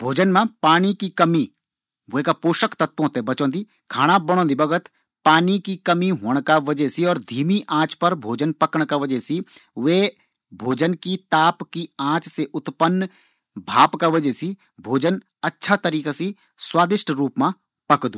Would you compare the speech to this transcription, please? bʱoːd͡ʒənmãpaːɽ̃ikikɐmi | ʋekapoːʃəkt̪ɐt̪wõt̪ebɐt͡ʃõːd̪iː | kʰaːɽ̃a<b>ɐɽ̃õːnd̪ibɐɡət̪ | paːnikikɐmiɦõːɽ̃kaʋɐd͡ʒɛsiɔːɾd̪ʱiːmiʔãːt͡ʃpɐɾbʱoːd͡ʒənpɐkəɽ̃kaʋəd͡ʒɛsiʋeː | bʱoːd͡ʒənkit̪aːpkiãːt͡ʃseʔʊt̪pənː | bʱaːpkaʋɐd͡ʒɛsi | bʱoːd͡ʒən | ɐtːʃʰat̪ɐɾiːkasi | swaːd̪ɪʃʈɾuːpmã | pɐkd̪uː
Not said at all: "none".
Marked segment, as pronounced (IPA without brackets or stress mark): b